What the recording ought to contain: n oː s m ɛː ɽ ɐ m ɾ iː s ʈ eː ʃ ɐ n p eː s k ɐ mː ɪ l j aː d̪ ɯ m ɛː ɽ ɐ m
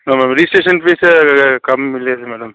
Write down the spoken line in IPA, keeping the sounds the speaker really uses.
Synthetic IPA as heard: n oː m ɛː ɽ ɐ m ɾ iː s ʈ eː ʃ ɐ n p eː s k ɐ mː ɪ l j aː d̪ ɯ m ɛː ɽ ɐ m